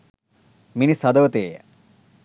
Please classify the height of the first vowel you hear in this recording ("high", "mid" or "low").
high